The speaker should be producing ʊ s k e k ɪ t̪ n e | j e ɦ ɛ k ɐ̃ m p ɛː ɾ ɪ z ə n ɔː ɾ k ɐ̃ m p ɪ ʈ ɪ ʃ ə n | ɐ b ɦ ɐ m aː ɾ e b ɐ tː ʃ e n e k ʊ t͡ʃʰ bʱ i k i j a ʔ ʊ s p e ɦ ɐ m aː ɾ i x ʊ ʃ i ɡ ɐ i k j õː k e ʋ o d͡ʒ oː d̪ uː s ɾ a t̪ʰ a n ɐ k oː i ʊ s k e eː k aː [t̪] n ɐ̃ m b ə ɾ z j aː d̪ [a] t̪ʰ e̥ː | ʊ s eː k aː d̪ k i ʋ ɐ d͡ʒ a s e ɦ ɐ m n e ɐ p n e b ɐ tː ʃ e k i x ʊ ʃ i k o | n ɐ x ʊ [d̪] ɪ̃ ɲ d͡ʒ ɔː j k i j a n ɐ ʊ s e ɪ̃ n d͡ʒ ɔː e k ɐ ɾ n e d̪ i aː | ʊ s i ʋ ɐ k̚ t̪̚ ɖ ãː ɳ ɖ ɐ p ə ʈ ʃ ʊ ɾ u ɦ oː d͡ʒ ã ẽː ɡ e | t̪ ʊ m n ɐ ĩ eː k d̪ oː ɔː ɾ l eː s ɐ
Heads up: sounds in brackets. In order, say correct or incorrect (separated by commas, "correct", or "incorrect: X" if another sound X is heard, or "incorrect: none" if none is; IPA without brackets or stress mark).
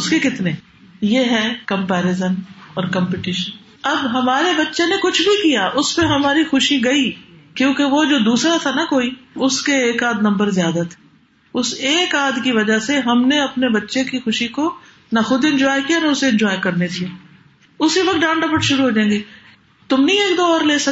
incorrect: d̪, correct, correct